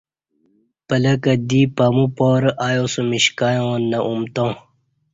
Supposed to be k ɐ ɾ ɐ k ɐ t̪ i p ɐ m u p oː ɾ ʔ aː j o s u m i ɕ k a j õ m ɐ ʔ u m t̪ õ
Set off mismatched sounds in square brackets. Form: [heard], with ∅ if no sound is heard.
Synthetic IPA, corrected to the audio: [p] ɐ [l] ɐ k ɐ [d̪] i p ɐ m u p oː ɾ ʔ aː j o s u m i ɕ k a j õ [n] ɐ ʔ u m t̪ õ